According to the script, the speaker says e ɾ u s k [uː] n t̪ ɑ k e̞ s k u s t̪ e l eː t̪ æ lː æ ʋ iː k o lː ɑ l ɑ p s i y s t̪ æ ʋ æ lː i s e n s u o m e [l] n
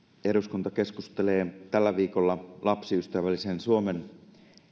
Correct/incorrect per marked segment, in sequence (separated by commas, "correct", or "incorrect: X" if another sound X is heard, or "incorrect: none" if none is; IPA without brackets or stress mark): incorrect: u, incorrect: none